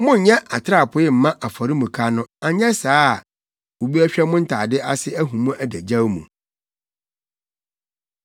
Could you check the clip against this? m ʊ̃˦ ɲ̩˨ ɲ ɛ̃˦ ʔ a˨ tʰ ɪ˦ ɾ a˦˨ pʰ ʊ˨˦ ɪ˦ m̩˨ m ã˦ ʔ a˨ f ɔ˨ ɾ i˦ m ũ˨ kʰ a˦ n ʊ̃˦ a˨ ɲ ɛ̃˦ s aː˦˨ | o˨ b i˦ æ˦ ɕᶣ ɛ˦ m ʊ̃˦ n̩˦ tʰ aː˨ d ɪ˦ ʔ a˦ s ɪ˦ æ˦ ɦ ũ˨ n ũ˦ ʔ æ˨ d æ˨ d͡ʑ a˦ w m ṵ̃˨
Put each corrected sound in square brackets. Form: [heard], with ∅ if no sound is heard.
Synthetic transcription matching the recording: m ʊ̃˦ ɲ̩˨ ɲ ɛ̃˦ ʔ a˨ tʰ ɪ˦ ɾ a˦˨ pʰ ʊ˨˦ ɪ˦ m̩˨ m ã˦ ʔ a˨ f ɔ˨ ɾ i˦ m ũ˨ kʰ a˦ n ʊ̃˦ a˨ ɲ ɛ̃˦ s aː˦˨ | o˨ b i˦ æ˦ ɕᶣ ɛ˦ m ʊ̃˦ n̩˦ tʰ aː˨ d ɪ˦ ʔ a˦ s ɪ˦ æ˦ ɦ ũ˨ [m] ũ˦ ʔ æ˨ d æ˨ d͡ʑ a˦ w m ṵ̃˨